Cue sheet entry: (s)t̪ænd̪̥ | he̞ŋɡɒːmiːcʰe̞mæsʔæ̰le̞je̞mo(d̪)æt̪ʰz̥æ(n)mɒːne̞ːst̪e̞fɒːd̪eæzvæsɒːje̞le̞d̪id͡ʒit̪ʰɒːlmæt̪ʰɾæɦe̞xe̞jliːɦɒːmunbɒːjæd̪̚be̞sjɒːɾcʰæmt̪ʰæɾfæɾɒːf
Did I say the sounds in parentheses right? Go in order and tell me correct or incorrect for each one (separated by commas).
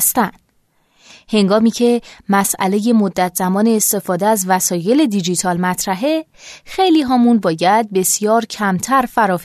correct, incorrect, incorrect